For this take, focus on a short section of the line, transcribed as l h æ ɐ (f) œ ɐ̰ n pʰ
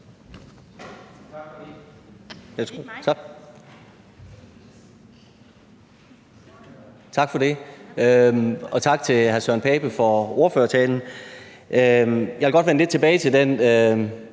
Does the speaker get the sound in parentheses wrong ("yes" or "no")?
yes